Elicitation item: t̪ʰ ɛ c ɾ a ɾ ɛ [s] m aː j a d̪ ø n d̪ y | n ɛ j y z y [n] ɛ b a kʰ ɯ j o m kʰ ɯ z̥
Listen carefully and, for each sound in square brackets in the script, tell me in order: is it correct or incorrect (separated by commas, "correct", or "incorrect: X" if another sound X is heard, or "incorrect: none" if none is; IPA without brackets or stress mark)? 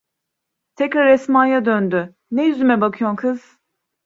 correct, incorrect: m